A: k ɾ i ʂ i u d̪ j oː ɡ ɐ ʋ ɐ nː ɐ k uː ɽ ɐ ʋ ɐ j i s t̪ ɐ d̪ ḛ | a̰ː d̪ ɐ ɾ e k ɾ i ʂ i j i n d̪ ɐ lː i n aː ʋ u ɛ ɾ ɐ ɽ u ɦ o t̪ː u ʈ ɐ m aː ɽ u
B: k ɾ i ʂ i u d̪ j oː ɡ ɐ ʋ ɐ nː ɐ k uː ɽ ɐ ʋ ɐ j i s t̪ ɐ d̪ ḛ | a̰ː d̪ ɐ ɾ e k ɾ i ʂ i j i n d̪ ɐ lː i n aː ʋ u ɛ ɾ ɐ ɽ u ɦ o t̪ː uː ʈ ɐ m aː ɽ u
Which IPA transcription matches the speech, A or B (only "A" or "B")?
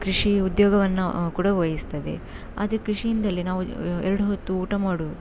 B